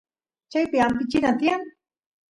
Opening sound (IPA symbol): t͡ʃ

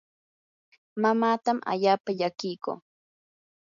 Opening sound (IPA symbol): m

